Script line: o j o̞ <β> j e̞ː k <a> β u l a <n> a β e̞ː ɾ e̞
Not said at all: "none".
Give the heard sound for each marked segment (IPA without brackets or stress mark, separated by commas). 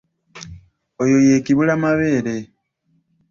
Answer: none, i, m